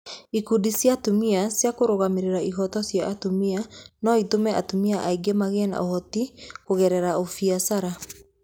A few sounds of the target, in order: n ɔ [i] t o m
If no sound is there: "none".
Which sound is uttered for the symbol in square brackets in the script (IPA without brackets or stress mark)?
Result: i